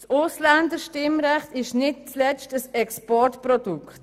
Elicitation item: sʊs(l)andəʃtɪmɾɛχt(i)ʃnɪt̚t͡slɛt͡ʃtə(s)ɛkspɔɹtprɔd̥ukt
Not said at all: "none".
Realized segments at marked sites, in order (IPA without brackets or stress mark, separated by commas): l, ɪ, s